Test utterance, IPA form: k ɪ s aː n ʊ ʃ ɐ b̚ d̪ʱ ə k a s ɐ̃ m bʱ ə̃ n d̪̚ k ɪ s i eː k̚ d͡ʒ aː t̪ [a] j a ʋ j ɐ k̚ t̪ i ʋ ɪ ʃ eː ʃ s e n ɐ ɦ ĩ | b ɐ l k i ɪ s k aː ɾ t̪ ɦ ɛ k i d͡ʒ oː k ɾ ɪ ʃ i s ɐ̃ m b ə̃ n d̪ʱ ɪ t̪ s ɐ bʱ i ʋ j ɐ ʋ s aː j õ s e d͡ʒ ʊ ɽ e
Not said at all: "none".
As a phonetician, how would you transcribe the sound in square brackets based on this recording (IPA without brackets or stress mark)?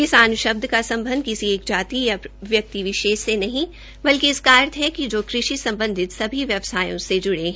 i